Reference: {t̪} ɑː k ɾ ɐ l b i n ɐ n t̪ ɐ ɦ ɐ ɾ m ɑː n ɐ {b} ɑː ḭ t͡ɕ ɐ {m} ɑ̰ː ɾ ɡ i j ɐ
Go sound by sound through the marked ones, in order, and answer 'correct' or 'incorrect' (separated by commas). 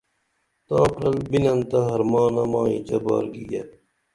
correct, incorrect, incorrect